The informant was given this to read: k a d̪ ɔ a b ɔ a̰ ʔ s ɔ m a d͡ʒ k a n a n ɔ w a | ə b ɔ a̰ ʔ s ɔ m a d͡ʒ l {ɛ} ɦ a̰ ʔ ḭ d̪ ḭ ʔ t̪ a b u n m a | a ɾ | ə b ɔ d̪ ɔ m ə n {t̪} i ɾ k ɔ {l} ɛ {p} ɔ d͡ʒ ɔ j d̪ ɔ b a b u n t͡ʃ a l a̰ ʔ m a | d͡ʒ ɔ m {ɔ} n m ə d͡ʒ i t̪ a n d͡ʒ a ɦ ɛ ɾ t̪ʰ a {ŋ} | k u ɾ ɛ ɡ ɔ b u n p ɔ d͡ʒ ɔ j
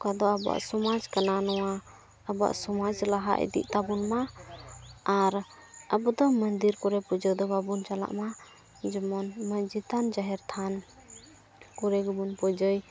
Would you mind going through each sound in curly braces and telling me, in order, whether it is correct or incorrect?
incorrect: a, incorrect: d̪, incorrect: ɾ, correct, correct, incorrect: n

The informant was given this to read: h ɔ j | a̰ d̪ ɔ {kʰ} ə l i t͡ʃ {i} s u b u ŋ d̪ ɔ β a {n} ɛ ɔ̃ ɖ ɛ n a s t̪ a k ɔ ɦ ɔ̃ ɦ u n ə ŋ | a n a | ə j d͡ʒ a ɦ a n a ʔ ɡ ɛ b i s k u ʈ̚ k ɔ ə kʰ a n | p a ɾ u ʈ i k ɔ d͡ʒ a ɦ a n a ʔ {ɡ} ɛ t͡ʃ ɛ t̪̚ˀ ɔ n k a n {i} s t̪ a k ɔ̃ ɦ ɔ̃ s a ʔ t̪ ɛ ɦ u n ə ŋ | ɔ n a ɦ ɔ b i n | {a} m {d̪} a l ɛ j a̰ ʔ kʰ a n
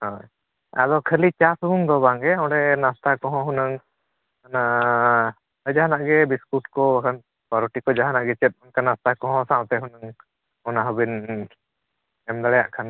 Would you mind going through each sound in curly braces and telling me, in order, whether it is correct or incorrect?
correct, incorrect: a, incorrect: ŋ, correct, incorrect: a, incorrect: ɛ, correct

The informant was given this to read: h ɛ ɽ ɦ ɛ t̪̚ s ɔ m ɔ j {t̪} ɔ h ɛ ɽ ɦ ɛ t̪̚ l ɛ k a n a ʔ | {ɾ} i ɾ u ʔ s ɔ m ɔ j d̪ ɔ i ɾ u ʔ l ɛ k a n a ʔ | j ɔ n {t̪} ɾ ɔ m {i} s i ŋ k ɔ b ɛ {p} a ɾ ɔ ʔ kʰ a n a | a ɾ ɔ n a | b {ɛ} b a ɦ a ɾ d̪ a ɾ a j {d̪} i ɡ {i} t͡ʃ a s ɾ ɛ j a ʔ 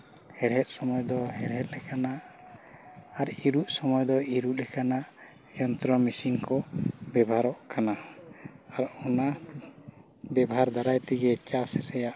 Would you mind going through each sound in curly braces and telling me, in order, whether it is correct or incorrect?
incorrect: d̪, correct, correct, correct, incorrect: b, correct, incorrect: t̪, incorrect: ɛ

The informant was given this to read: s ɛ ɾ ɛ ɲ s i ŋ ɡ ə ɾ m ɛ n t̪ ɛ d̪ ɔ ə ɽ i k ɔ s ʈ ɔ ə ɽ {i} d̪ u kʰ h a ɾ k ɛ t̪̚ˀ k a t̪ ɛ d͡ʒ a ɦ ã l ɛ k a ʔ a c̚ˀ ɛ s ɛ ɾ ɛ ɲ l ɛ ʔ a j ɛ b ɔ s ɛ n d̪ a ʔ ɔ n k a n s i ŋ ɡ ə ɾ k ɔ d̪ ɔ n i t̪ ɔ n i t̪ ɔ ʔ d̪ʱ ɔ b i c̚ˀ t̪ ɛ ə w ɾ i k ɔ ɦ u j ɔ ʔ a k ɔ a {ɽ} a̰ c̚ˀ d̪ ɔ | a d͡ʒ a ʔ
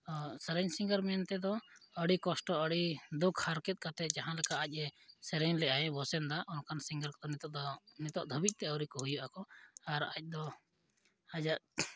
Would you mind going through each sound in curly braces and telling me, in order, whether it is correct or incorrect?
correct, incorrect: ɾ

